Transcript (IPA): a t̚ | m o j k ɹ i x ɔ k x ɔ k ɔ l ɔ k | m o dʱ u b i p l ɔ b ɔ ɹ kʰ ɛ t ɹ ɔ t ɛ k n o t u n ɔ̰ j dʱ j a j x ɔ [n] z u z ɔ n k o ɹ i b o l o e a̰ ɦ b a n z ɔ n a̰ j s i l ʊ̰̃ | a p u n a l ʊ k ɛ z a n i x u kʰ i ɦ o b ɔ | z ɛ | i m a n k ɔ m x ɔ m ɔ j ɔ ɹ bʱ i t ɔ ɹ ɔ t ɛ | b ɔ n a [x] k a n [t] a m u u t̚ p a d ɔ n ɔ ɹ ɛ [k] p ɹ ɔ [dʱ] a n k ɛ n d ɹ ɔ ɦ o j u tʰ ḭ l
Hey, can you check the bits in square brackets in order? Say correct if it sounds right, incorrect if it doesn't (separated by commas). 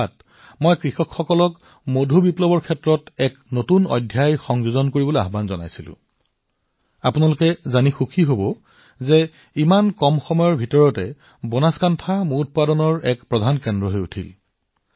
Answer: incorrect, incorrect, incorrect, correct, correct